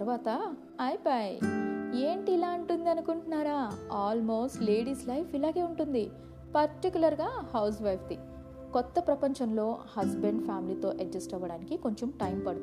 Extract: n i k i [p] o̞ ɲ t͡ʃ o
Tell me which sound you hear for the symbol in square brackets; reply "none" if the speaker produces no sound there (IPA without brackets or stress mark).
k